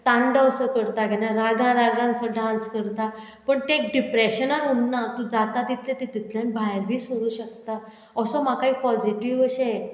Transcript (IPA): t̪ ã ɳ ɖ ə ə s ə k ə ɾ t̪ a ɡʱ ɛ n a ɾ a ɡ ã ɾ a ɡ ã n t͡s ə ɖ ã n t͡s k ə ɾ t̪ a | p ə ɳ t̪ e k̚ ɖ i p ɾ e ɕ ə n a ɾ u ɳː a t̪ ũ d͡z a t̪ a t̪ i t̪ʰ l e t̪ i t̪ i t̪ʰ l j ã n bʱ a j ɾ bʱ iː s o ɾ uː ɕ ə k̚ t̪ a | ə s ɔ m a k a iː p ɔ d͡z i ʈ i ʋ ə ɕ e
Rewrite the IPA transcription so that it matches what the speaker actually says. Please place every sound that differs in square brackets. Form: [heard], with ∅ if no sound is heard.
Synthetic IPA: t̪ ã ɳ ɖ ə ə s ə k ə ɾ t̪ a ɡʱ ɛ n a ɾ a ɡ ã ɾ a ɡ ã n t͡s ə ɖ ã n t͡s k ə ɾ t̪ a | p ə ɳ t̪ e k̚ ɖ i p ɾ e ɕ ə n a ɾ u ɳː a t̪ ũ d͡z a t̪ a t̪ i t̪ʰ l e t̪ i t̪ i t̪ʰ l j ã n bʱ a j ɾ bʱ iː s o ɾ uː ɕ ə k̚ t̪ a | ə s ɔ m a k a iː p ɔ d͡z i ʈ i ʋ ə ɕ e